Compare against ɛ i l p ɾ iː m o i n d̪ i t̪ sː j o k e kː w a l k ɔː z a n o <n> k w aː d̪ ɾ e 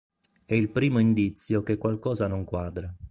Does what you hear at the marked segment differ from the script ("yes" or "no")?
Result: yes